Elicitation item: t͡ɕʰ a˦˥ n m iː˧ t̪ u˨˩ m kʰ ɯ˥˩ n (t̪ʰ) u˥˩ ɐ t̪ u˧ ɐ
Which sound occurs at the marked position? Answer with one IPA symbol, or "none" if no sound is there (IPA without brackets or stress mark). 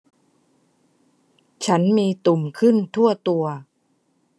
t̪ʰ